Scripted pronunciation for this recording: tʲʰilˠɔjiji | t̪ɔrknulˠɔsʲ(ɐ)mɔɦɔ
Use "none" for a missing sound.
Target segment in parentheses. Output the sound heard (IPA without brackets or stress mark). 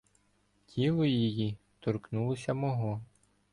ɐ